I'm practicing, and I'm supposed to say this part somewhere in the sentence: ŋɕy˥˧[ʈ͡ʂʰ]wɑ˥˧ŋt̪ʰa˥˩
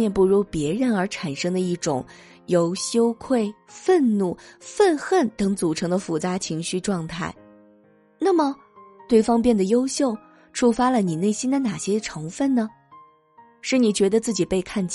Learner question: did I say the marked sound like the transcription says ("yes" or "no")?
no